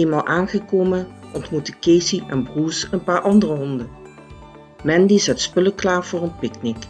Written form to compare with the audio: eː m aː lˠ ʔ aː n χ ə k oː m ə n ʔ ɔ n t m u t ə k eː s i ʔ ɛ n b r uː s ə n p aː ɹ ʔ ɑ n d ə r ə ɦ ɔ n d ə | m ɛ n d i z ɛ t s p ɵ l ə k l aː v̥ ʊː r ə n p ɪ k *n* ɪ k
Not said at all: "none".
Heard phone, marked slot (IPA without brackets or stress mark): n